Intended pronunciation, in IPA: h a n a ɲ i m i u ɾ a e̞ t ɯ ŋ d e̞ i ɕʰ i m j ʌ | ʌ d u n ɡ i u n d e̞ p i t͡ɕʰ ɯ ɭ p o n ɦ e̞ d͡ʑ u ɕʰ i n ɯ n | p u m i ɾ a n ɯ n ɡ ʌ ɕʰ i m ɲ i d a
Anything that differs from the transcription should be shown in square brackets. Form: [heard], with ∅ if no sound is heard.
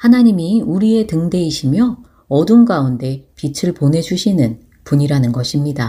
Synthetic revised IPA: h a n a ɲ i m i u ɾ [i] e̞ t ɯ ŋ d e̞ i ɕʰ i m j ʌ | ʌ d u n ɡ [a] u n d e̞ p i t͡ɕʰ ɯ ɭ p o n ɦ e̞ d͡ʑ u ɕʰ i n ɯ n | p u [ɲ] i ɾ a n ɯ n ɡ ʌ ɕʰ i m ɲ i d a